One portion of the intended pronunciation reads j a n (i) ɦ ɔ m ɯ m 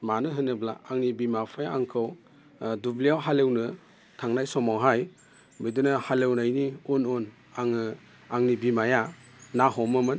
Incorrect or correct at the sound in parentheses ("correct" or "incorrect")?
incorrect